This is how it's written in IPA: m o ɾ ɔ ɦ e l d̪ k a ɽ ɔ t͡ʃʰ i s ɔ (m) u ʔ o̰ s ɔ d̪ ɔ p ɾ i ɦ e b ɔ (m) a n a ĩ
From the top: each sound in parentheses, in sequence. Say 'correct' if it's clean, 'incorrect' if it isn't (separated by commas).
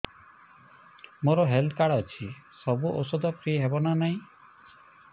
incorrect, incorrect